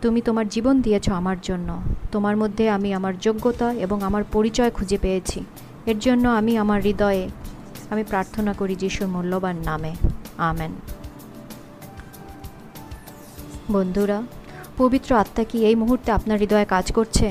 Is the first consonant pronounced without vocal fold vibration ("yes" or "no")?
yes